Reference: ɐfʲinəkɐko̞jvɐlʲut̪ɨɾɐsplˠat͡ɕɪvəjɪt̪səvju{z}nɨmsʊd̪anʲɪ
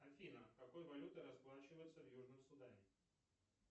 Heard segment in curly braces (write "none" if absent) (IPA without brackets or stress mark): ʐ